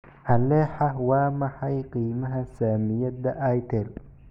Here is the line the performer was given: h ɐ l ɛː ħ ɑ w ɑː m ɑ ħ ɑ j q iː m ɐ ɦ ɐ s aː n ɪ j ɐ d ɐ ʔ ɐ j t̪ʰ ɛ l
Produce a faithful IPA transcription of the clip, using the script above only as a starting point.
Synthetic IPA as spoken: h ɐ l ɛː ħ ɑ w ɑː m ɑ ħ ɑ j q iː m ɐ ɦ ɐ s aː m ɪ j ɐ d ɐ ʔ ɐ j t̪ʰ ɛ l